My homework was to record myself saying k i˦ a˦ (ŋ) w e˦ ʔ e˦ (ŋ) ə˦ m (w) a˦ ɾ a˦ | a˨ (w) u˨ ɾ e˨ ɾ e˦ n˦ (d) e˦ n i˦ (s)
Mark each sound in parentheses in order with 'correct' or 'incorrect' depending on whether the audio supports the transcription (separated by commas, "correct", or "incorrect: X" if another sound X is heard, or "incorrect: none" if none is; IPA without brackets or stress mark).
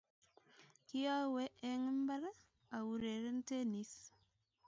incorrect: none, correct, incorrect: b, correct, incorrect: t, correct